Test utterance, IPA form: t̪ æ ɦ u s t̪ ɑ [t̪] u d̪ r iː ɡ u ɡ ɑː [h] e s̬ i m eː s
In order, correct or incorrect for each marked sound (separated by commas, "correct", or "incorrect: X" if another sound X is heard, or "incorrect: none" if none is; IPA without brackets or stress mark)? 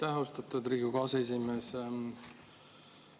correct, incorrect: s